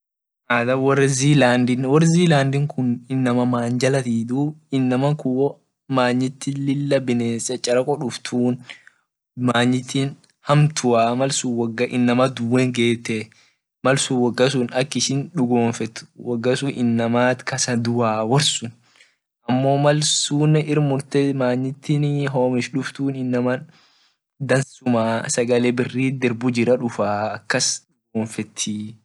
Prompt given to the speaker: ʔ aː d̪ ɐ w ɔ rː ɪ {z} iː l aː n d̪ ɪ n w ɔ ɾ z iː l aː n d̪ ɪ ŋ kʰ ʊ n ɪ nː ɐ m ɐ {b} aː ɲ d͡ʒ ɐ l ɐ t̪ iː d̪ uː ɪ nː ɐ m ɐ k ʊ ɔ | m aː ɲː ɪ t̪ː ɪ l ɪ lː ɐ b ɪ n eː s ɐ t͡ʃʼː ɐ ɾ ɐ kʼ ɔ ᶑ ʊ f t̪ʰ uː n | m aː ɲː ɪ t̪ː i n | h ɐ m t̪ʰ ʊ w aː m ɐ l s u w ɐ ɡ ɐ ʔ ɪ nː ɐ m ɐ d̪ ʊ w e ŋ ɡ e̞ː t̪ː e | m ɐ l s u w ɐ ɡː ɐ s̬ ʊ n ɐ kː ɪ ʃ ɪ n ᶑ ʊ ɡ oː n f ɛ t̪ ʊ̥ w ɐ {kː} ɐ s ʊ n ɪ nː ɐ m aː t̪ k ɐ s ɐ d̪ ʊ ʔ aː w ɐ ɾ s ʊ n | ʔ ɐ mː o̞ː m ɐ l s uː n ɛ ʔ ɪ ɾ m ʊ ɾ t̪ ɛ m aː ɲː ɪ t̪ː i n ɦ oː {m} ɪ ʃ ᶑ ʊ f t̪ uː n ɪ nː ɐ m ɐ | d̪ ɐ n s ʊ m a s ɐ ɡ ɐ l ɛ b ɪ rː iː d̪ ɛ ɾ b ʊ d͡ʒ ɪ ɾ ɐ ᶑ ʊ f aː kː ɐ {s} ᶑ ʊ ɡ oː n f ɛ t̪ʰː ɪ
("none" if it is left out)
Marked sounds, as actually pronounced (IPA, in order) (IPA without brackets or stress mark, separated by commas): z, m, ɡː, m, s